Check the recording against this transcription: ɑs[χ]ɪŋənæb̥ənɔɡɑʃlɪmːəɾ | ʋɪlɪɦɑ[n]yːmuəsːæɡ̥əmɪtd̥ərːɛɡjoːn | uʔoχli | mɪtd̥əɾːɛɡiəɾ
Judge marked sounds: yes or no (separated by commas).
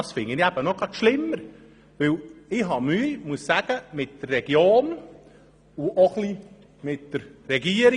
no, no